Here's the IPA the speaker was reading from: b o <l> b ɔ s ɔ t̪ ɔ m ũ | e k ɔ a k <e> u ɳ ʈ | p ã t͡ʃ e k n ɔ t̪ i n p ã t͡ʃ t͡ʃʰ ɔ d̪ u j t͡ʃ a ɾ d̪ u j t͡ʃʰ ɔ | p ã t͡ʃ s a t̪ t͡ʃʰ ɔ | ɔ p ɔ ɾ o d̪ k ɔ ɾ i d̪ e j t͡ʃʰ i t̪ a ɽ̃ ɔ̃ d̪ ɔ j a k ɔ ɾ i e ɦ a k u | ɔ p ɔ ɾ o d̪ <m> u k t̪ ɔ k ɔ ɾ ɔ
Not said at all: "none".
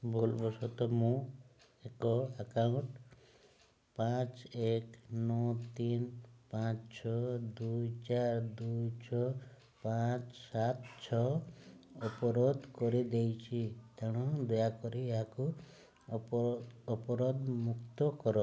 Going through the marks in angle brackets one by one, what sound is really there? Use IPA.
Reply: l, a, m

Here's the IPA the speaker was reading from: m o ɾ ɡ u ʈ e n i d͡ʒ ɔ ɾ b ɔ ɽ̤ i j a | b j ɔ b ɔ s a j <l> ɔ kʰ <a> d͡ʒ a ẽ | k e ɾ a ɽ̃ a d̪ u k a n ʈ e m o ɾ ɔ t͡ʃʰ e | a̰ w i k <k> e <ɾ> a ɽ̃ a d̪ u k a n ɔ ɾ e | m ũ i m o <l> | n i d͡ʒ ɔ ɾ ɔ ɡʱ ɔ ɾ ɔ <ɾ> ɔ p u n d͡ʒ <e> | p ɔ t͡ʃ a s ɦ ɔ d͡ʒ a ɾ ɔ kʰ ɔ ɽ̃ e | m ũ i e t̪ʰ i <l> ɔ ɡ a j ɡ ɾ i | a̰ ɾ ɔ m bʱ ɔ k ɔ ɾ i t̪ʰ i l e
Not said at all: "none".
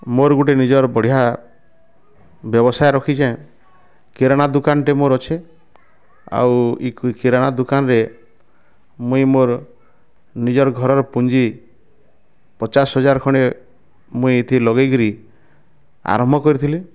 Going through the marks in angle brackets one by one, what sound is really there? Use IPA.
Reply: ɾ, i, k, ɾ, ɾ, ɾ, i, l

